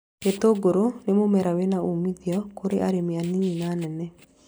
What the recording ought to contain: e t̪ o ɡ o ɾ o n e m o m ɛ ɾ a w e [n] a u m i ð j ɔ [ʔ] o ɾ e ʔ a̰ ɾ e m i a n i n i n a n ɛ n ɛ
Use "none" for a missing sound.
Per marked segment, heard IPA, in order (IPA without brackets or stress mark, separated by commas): n, k